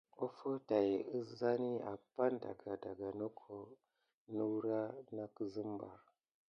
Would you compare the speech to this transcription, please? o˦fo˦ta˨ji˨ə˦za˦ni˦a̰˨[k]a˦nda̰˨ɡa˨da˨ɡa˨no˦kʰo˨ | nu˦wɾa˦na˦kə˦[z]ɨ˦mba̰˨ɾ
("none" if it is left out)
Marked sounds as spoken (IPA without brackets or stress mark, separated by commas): p, z